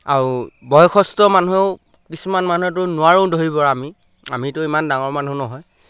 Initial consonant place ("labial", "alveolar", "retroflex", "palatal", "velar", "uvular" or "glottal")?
alveolar